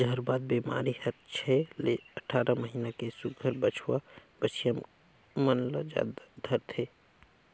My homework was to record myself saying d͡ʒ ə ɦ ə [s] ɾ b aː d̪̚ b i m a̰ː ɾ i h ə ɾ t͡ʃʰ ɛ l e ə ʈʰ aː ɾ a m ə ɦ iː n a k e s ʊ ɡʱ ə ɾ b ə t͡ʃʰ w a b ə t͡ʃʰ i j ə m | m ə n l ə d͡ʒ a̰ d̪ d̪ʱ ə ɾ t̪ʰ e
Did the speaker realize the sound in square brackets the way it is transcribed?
no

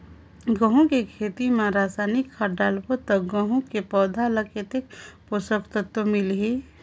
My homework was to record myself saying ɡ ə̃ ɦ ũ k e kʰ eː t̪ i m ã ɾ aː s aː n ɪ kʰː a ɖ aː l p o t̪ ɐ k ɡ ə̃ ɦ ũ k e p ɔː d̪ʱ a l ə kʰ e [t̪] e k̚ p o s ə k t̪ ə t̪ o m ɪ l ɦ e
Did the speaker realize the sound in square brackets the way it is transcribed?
yes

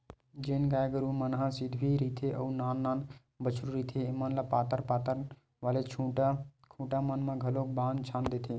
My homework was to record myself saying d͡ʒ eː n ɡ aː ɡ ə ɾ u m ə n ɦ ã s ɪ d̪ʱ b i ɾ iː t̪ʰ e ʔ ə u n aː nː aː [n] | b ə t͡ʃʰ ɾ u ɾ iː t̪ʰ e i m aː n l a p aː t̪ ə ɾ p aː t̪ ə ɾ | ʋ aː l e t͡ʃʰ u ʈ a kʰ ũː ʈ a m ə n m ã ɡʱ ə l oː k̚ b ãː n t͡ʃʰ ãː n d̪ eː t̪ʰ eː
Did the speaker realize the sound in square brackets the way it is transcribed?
yes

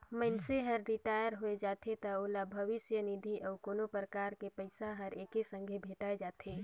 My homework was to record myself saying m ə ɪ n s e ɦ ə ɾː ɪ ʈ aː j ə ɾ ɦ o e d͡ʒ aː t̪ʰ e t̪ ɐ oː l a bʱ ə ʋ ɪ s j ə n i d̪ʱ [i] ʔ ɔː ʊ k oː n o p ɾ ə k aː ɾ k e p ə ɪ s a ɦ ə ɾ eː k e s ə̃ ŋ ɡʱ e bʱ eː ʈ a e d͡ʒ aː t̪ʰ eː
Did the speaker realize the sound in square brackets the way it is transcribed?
yes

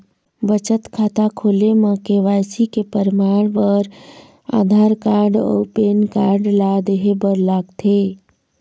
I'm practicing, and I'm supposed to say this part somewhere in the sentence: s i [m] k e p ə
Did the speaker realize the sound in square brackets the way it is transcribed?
no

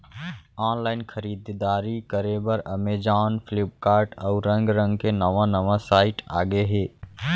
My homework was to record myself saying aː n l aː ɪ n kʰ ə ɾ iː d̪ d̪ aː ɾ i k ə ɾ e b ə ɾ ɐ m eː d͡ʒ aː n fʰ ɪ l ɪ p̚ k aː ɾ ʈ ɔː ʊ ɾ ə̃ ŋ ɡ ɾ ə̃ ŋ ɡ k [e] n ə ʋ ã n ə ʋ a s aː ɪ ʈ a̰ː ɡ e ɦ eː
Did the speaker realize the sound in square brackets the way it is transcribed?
yes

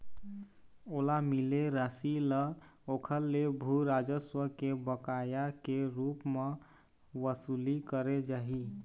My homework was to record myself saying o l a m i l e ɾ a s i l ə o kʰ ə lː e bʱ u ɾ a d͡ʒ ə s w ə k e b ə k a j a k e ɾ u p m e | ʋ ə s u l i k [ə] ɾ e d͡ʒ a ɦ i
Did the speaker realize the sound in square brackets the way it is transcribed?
yes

